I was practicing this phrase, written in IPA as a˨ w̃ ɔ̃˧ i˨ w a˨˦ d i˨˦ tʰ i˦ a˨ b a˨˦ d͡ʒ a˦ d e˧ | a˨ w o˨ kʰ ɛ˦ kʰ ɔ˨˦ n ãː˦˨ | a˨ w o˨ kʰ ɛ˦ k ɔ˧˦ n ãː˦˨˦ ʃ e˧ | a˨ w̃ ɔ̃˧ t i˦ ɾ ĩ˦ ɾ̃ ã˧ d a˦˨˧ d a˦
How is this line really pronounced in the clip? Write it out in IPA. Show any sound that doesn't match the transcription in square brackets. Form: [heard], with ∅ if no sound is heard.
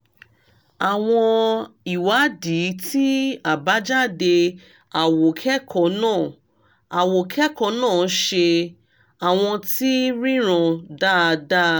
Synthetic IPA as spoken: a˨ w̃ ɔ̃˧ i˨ w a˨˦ d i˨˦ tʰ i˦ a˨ b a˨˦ d͡ʒ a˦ d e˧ | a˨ w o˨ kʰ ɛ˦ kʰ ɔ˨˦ n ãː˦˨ | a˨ w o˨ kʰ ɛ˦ k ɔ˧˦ n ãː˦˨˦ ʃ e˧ | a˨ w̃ ɔ̃˧ t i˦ ɾ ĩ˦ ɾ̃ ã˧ d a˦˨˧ d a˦

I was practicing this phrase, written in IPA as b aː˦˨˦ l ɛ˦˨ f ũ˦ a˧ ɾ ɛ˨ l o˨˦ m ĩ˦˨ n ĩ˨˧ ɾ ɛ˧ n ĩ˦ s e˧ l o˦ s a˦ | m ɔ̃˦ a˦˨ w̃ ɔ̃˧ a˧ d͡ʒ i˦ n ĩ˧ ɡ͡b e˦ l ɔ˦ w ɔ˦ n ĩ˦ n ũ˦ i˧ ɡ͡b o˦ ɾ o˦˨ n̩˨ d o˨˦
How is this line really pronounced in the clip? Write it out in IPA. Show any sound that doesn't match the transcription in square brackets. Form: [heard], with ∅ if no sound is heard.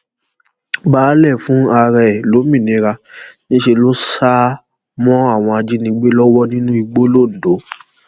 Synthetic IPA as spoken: b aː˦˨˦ l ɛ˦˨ f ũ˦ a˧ ɾ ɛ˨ l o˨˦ m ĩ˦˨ n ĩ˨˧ ɾ [a˧] n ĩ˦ [ʃ] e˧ l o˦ s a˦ | m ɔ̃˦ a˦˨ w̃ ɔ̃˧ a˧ d͡ʒ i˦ n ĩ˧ ɡ͡b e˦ l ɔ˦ w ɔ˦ n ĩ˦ n ũ˦ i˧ ɡ͡b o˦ [l] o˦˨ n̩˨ d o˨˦

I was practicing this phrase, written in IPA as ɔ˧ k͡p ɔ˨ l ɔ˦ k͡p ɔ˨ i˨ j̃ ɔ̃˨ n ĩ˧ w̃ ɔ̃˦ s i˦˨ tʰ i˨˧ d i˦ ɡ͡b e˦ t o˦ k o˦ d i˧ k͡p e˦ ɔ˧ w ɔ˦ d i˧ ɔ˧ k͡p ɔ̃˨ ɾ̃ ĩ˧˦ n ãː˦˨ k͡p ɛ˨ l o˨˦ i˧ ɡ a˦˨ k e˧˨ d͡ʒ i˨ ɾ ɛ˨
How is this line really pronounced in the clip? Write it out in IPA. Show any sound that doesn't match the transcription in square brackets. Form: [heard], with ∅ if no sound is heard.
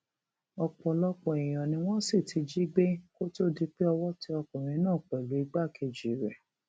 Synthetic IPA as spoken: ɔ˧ k͡p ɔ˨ l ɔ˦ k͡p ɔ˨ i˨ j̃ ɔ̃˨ n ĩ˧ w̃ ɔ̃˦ s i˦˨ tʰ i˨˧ [d͡ʒ] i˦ ɡ͡b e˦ [k] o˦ [t] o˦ d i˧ k͡p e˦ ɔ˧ w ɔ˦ [t] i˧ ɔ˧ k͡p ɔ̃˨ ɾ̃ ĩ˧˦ n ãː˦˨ k͡p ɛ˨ l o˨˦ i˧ [ɡ͡b] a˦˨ k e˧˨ d͡ʒ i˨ ɾ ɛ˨

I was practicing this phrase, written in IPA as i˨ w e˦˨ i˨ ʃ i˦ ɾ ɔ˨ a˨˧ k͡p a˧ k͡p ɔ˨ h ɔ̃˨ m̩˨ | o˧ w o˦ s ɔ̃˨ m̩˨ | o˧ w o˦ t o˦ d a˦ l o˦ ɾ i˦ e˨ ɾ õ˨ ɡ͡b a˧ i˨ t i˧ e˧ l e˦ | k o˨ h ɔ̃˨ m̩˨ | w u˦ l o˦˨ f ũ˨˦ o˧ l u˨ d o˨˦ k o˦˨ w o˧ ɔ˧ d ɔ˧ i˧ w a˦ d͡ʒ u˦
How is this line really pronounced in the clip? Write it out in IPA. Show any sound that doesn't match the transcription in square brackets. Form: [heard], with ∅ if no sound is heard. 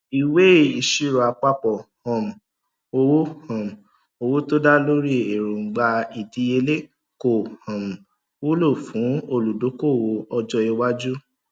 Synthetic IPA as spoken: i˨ w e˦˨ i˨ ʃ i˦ ɾ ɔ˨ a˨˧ k͡p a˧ k͡p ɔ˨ h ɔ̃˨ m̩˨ | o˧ w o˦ [h] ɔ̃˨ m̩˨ | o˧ w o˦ t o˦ d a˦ l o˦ ɾ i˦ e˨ ɾ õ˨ ɡ͡b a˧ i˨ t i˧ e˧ l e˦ | k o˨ h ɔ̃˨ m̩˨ | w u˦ l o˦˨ f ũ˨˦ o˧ l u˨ d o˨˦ k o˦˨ w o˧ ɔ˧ [d͡ʒ] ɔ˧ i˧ w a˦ d͡ʒ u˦

